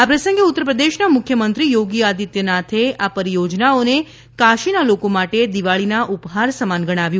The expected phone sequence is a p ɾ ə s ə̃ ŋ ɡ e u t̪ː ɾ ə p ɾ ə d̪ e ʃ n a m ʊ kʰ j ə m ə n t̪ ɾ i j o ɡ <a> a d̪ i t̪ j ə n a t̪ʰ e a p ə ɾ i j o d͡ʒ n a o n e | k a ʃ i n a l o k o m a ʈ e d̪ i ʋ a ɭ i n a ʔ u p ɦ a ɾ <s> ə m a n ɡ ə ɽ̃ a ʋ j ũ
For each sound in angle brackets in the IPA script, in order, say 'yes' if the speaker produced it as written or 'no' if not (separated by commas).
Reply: no, yes